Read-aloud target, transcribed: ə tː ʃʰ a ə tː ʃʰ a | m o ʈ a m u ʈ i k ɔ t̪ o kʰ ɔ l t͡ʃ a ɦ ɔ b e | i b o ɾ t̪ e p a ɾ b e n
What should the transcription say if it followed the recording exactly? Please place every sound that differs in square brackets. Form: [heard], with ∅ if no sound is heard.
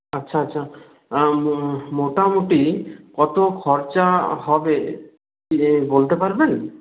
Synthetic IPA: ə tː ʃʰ a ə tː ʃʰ a | m o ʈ a m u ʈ i k ɔ t̪ o kʰ ɔ [ɾ] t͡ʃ a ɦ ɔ b e | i b o [l] t̪ e p a ɾ b e n